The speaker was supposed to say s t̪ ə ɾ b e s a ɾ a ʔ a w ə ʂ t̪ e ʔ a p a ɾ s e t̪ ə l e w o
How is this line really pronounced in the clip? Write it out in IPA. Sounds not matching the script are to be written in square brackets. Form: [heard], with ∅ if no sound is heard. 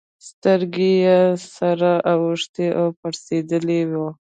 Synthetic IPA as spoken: s t̪ ə ɾ [ɡ] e s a ɾ a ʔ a w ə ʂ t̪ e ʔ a p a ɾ s e [d̪] ə l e w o